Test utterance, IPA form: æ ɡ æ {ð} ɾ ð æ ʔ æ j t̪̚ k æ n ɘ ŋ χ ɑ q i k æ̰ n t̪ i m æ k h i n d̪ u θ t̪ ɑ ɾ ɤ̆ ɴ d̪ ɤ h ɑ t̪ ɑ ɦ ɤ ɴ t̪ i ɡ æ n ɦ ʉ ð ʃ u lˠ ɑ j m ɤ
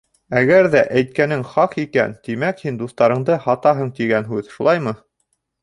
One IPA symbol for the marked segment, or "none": none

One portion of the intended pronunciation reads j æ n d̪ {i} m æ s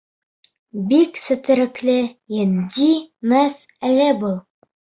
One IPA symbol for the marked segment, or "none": i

